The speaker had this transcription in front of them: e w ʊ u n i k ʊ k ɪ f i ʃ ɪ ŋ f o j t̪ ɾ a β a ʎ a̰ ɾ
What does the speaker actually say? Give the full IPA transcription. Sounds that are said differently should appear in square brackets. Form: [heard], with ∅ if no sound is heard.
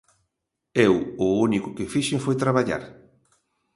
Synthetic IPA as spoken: e w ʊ u n i k ʊ k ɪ f i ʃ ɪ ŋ f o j t̪ ɾ a β a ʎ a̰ ɾ